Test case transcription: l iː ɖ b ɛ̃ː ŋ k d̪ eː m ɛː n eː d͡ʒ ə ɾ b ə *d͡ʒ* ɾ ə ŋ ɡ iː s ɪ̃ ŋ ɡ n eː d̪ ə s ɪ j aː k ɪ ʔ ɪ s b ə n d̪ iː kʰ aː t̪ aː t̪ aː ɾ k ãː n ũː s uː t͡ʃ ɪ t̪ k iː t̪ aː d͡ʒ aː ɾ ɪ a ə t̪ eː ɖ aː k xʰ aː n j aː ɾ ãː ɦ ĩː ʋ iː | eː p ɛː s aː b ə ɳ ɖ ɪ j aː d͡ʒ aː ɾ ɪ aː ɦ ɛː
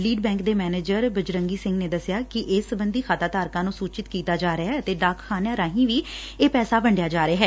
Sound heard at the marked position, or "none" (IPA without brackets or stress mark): d͡ʒ